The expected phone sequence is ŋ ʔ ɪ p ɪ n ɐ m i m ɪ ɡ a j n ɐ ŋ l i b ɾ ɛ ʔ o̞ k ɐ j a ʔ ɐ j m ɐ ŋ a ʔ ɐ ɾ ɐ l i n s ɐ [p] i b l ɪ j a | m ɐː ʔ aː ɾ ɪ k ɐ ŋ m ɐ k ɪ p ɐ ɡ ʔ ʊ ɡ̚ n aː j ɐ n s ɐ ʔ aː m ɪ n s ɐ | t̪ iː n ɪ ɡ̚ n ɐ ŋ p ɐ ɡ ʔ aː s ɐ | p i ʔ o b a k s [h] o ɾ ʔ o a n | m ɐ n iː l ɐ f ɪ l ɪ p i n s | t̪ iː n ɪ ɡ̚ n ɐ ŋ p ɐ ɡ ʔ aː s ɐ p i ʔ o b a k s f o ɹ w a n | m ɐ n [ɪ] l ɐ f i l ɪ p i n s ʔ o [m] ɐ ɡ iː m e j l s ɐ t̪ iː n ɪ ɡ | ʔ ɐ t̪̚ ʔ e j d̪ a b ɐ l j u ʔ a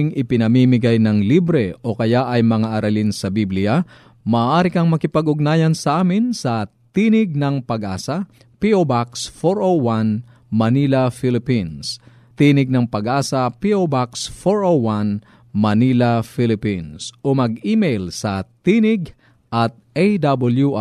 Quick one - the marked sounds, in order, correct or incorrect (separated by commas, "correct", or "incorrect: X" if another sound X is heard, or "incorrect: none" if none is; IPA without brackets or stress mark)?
incorrect: b, incorrect: f, incorrect: i, correct